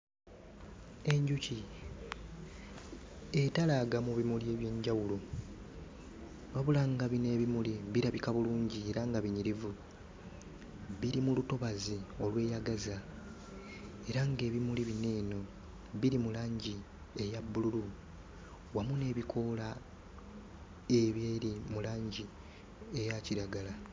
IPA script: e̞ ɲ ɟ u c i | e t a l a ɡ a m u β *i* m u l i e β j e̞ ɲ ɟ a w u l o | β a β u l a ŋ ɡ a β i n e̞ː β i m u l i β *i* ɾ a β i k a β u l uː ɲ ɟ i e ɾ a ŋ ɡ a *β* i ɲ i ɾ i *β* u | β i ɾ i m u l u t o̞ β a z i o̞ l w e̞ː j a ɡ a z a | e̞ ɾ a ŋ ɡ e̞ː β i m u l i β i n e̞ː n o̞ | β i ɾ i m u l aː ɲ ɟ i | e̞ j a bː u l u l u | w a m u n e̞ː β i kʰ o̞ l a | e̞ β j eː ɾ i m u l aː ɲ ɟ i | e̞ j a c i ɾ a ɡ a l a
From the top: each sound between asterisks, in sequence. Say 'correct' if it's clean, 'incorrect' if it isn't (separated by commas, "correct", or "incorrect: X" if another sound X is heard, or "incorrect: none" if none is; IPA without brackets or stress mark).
correct, correct, correct, incorrect: v